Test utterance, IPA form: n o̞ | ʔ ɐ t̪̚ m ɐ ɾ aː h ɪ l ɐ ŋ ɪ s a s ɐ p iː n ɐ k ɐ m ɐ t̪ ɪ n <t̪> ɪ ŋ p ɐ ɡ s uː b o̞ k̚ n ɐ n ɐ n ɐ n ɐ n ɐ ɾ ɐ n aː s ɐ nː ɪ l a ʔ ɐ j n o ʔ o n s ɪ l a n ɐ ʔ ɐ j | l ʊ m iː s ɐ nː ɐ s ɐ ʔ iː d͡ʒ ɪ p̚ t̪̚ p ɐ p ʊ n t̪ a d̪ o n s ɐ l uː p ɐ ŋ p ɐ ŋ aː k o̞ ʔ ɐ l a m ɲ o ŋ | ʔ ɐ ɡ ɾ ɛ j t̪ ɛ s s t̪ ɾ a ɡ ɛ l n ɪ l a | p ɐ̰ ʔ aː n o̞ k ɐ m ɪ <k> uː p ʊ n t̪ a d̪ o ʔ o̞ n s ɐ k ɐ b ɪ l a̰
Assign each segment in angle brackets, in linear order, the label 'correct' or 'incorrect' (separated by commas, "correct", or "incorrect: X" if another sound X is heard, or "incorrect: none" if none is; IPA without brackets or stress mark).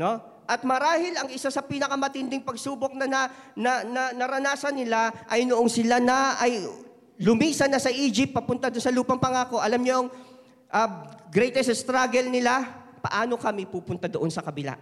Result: incorrect: d̪, incorrect: p